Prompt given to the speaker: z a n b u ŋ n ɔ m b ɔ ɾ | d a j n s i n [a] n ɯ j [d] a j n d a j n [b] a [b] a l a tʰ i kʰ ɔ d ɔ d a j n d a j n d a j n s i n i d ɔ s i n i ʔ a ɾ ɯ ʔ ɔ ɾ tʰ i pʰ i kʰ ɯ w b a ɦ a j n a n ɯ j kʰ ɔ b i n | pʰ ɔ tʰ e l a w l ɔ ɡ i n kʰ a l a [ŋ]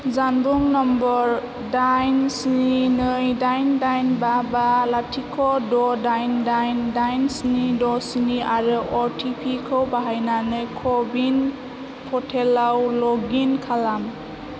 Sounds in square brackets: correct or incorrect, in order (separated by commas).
incorrect, correct, correct, correct, incorrect